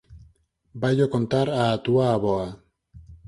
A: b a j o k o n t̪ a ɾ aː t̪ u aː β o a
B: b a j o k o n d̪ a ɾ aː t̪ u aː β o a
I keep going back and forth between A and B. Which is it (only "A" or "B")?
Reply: A